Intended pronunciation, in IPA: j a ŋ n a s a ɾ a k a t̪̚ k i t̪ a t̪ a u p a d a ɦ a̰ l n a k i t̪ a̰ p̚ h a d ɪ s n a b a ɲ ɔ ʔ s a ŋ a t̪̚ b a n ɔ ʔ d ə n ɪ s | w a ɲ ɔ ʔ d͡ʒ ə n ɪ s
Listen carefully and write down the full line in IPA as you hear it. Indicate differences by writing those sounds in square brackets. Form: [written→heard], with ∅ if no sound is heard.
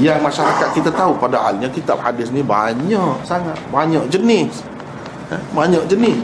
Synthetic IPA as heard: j a ŋ [n→m] a [s→ʃ] a ɾ a k a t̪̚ k i t̪ a t̪ a u p a d a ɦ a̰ l [n→ɲ] a k i t̪ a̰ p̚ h a d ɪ s n [a→i] b a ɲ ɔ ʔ s a ŋ a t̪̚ b a [n→ɲ] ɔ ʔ [d→d͡ʒ] ə n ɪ s | [w→b] a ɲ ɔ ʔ d͡ʒ ə n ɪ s